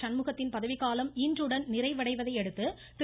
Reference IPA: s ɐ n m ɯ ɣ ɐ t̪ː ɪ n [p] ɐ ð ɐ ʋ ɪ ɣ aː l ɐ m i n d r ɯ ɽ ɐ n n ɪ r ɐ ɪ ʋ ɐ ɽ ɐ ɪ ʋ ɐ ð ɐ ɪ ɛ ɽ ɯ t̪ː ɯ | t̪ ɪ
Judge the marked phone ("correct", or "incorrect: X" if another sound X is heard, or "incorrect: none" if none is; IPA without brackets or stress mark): correct